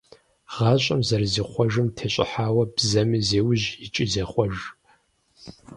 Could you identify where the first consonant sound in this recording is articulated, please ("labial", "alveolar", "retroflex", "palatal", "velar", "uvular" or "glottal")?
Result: uvular